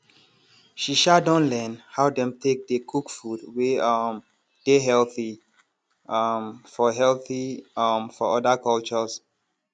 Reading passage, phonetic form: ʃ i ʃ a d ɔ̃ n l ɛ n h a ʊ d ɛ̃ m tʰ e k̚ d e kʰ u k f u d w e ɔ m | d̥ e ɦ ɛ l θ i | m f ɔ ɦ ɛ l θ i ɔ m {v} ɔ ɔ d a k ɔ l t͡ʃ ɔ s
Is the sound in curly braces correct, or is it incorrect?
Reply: incorrect